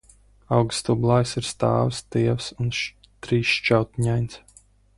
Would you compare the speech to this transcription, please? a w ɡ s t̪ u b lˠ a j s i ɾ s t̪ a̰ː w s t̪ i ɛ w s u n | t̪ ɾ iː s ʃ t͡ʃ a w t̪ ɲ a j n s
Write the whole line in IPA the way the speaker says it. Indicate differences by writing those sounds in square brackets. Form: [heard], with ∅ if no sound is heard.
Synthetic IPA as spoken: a w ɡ s t̪ u b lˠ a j s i ɾ s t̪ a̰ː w s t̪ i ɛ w s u n | t̪ ɾ iː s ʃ t͡ʃ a w t̪ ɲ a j n s